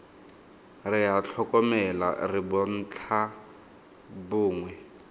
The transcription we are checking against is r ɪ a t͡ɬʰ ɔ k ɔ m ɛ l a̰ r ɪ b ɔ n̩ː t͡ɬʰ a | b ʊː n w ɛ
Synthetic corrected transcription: r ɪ a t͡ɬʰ ɔ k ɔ m ɛ l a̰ r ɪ b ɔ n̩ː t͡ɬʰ a | b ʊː ŋ w ɛ

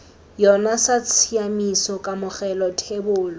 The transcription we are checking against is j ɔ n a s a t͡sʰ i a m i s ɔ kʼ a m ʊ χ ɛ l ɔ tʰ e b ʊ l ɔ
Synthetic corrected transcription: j ɔ n a s a t͡sʰ i a m i s ɔ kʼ a m ʊ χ ɛ l ɔ tʰ e b ʊː l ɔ

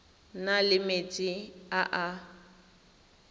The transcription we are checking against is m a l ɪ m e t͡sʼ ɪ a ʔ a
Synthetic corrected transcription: n a l ɪ m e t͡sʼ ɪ a ʔ a

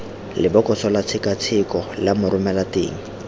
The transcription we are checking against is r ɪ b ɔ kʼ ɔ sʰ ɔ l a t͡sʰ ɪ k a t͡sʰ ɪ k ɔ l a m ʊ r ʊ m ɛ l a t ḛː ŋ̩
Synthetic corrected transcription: l ɪ b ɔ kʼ ɔ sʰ ɔ l a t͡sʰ ɪ k a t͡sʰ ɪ k ɔ l a m ʊ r ʊ m ɛ l a t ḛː ŋ̩

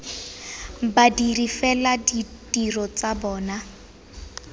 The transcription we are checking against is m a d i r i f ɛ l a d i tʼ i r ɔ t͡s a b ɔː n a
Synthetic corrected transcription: b a d i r i f ɛ l a d i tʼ i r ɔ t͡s a b ɔː n a

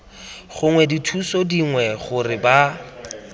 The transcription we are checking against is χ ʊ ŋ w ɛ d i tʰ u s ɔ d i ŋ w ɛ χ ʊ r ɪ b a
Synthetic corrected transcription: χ ʊ ŋ w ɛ d i tʰ u s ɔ d i ŋ w ɛ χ ʊ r ɪ b a

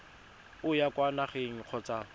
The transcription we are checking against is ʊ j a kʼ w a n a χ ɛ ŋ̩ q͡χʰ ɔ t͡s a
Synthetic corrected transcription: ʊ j a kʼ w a n a χ e ŋ̩ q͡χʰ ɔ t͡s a

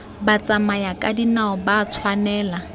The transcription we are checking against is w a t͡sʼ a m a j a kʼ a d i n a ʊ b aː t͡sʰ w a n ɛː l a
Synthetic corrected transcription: b a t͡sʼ a m a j a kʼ a d i n a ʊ b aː t͡sʰ w a n ɛː l a

